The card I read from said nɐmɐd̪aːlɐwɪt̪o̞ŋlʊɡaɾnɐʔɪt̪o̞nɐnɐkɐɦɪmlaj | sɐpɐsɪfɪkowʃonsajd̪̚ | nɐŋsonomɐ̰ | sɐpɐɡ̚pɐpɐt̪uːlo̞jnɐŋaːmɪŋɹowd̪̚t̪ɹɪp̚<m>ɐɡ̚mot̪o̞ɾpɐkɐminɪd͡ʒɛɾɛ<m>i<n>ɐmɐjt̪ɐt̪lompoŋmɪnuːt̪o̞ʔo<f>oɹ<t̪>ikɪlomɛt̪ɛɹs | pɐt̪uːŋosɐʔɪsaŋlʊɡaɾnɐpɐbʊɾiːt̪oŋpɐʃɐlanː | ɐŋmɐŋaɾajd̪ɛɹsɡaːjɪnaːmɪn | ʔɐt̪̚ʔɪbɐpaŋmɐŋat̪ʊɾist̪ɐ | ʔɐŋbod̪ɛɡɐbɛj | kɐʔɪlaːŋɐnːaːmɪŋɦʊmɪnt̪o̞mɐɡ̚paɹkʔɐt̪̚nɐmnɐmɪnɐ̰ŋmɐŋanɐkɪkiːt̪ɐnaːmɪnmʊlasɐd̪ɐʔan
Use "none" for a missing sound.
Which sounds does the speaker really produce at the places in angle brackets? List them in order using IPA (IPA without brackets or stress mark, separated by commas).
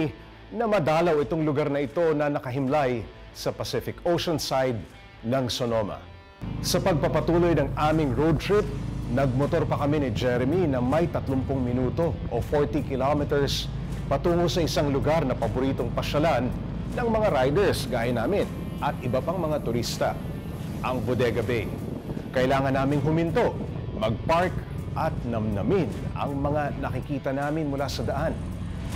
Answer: n, m, n, f, t̪